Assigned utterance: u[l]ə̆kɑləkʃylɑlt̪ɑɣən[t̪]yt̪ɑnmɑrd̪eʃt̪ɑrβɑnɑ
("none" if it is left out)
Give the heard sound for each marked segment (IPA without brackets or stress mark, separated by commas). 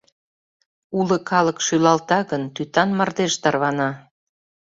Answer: l, t̪